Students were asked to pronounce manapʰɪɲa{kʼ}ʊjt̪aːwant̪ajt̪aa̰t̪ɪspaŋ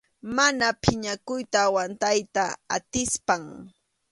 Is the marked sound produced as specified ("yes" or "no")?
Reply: no